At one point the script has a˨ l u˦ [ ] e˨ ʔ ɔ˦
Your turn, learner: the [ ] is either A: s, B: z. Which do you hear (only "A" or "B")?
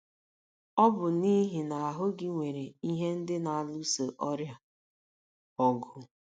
A